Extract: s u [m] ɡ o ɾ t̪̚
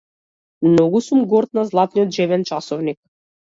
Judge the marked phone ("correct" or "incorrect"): correct